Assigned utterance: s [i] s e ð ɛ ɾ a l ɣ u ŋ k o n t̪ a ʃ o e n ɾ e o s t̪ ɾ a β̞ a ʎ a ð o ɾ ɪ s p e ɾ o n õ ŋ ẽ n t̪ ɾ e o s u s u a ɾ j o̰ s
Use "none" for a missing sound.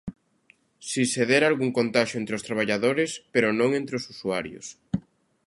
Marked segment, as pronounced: i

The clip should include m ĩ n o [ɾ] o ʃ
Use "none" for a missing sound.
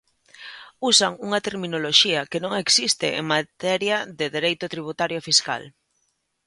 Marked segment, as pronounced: l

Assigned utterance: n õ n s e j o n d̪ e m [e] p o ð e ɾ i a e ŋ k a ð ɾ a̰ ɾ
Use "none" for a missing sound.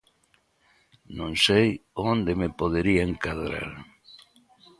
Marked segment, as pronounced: e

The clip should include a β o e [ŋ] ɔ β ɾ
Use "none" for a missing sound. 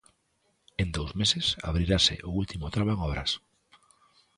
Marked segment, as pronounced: ŋ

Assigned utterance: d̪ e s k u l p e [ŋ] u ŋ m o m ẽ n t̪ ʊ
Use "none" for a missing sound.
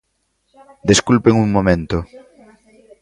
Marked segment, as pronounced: ŋ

